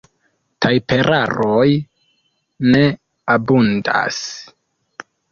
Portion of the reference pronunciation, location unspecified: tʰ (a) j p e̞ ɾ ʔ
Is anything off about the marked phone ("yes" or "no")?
no